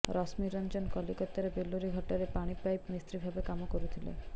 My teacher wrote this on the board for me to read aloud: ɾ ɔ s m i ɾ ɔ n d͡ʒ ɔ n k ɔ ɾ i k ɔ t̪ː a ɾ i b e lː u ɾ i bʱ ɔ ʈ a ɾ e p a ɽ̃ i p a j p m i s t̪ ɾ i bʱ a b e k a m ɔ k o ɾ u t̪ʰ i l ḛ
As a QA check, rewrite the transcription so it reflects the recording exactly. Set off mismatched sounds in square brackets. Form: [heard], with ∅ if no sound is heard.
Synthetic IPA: ɾ ɔ s m i ɾ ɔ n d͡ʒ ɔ n k ɔ [l] i k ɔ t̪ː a ɾ [e] b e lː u ɾ i [ɡʱ] ɔ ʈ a ɾ e p a ɽ̃ i p a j p m i s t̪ ɾ i bʱ a b e k a m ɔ k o ɾ u t̪ʰ i l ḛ

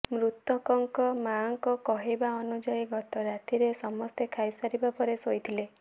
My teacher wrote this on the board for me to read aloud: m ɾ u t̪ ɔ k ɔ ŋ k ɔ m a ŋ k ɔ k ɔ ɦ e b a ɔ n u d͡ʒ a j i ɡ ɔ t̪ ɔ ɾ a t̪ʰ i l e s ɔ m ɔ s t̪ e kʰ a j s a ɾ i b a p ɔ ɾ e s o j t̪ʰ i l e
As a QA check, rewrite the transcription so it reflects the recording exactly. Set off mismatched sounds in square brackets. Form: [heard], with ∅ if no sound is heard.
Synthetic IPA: m ɾ u t̪ ɔ k ɔ ŋ k ɔ m a ŋ k ɔ k ɔ ɦ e b a ɔ n u d͡ʒ a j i ɡ ɔ t̪ ɔ ɾ a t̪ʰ i [ɾ] e s ɔ m ɔ s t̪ e kʰ a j s a ɾ i b a p ɔ ɾ e s o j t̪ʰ i l e

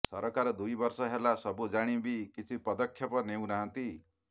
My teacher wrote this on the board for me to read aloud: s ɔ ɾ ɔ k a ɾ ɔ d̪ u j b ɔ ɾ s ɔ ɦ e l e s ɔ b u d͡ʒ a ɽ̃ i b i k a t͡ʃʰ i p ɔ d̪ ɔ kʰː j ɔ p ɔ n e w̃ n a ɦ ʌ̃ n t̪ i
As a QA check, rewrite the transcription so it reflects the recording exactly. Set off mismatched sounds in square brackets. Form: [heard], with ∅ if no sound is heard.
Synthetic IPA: s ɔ ɾ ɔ k a ɾ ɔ d̪ u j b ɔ ɾ s ɔ ɦ e l [a] s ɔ b u d͡ʒ a ɽ̃ i b i k [i] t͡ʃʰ i p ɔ d̪ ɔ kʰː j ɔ p ɔ n e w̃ n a ɦ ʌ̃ n t̪ i

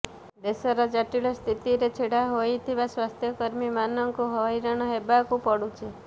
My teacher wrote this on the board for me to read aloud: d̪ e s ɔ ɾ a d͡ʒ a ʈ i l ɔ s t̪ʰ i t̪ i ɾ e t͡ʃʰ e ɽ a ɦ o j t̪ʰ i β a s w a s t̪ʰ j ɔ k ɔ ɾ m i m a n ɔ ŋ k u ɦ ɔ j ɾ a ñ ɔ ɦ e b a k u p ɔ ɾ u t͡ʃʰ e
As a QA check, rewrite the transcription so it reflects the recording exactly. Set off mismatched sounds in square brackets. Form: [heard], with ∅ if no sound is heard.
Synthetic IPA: d̪ e s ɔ ɾ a d͡ʒ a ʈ i l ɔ s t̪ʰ i t̪ i ɾ e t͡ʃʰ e ɽ a ɦ o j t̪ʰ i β a s w a s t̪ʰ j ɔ k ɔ ɾ m i m a n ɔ ŋ k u ɦ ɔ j ɾ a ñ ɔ ɦ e b a k u p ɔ [ɽ] u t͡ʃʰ e

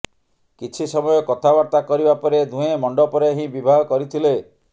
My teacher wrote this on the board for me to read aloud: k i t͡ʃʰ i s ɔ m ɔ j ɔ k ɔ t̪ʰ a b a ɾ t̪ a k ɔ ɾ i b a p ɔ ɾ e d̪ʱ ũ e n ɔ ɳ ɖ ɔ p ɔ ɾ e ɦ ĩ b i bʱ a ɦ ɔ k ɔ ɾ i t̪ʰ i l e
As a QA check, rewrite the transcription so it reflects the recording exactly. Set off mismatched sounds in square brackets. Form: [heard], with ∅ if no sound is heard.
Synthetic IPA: k i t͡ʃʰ i s ɔ m ɔ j ɔ k ɔ t̪ʰ a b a ɾ t̪ a k ɔ ɾ i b a p ɔ ɾ e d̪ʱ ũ e [m] ɔ ɳ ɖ ɔ p ɔ ɾ e ɦ ĩ b i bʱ a ɦ ɔ k ɔ ɾ i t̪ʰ i l e

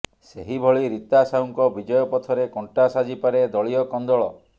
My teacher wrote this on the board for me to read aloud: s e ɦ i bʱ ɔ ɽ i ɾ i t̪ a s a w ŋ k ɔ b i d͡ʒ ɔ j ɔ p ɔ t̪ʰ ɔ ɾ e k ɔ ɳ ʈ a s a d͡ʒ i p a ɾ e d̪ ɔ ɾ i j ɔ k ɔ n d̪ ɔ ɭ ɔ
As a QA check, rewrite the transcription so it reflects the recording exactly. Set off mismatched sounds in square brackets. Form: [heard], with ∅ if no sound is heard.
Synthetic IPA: s e ɦ i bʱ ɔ [ɭ] i ɾ i t̪ a s a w ŋ k ɔ b i d͡ʒ ɔ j ɔ p ɔ t̪ʰ ɔ ɾ e k ɔ ɳ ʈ a s a d͡ʒ i p a ɾ e d̪ ɔ [ɭ] i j ɔ k ɔ n d̪ ɔ ɭ ɔ

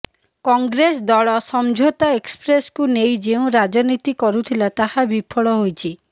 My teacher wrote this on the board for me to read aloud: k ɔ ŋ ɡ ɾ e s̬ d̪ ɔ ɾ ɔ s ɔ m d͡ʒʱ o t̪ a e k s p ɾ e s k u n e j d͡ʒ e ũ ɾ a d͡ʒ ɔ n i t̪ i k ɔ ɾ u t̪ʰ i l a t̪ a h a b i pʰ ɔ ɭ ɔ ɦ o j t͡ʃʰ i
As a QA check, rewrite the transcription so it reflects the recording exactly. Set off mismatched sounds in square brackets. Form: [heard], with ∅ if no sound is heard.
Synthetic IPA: k ɔ ŋ ɡ ɾ e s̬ d̪ ɔ [ɭ] ɔ s ɔ m d͡ʒʱ o t̪ a e k s p ɾ e s k u n e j d͡ʒ e ũ ɾ a d͡ʒ ɔ n i t̪ i k ɔ ɾ u t̪ʰ i l a t̪ a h a b i pʰ ɔ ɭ ɔ ɦ o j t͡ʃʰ i

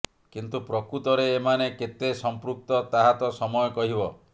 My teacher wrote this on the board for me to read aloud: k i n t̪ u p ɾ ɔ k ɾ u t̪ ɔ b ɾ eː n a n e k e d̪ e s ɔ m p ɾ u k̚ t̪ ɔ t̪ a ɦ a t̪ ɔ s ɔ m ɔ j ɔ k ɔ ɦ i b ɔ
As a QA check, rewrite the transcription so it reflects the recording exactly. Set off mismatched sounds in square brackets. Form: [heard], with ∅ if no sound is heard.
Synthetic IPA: k i n t̪ u p ɾ ɔ k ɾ u t̪ ɔ [∅] ɾ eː [m] a n e k e [t̪] e s ɔ m p ɾ u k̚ t̪ ɔ t̪ a ɦ a t̪ ɔ s ɔ m ɔ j ɔ k ɔ ɦ i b ɔ

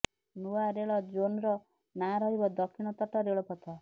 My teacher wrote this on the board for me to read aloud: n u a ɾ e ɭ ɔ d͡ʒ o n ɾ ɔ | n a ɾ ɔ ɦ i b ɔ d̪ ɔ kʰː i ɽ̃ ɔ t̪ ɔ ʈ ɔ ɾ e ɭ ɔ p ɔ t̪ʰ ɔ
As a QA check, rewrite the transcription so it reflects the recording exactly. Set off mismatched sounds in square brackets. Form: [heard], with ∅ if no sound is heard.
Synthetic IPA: n u a ɾ e ɭ ɔ d͡ʒ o n ɾ ɔ | n a ɾ ɔ ɦ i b ɔ d̪ ɔ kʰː i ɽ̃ ɔ t̪ ɔ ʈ ɔ ɾ e ɭ ɔ p ɔ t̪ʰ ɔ

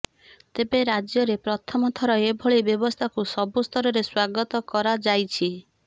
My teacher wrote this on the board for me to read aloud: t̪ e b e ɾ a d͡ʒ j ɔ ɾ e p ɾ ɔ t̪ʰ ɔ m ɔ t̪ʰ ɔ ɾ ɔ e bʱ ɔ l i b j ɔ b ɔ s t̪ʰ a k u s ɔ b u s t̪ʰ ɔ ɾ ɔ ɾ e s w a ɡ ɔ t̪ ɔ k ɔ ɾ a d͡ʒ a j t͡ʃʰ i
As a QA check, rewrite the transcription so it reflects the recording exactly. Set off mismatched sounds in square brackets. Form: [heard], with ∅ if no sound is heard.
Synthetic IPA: t̪ e b e ɾ a d͡ʒ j ɔ ɾ e p ɾ ɔ t̪ʰ ɔ m ɔ t̪ʰ ɔ ɾ ɔ e bʱ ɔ [ɭ] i b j ɔ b ɔ s t̪ʰ a k u s ɔ b u s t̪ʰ ɔ ɾ ɔ ɾ e s w a ɡ ɔ t̪ ɔ k ɔ ɾ a d͡ʒ a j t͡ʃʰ i

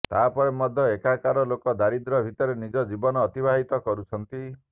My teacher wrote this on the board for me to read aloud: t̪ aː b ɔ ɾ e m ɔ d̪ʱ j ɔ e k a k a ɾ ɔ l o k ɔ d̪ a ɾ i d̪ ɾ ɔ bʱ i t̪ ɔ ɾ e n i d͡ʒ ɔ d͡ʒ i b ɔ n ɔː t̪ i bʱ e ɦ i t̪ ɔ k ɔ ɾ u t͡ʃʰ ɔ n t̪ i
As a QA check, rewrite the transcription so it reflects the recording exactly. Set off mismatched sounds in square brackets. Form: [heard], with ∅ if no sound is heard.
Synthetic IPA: t̪ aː [p] ɔ ɾ e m ɔ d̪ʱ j ɔ e k a k a ɾ ɔ l o k ɔ d̪ a ɾ i d̪ ɾ ɔ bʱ i t̪ ɔ ɾ e n i d͡ʒ ɔ d͡ʒ i b ɔ n ɔː t̪ i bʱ [a] ɦ i t̪ ɔ k ɔ ɾ u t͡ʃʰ ɔ n t̪ i

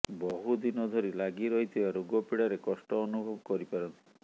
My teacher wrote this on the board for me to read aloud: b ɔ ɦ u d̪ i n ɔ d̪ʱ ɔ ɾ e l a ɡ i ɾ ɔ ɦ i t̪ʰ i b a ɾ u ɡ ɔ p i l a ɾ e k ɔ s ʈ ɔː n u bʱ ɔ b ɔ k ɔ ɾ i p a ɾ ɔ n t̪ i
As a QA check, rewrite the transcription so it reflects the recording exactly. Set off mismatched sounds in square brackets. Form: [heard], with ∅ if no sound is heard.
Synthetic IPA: b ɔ ɦ u d̪ i n ɔ d̪ʱ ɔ ɾ [i] l a ɡ i ɾ ɔ ɦ i t̪ʰ i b a ɾ u ɡ ɔ p i [ɽ] a ɾ e k ɔ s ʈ ɔː n u bʱ ɔ b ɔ k ɔ ɾ i p a ɾ ɔ n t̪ i

